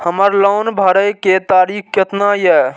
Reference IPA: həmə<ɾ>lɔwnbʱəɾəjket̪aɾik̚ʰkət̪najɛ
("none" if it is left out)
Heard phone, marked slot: ɾ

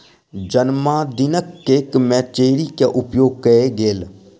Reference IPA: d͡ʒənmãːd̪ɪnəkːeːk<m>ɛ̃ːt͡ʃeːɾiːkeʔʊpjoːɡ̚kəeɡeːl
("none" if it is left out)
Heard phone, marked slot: m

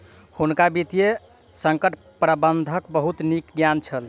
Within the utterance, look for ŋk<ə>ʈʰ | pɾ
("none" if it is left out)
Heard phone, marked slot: ə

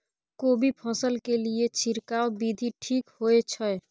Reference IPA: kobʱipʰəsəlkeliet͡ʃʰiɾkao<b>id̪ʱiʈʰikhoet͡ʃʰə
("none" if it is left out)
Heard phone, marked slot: b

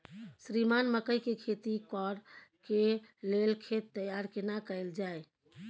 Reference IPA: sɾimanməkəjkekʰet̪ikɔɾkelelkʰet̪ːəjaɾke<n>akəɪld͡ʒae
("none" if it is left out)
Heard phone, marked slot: n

